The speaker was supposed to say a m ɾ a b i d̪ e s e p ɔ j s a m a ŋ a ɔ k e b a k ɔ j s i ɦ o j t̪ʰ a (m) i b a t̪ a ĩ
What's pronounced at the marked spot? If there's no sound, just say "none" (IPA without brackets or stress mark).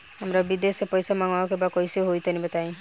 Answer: n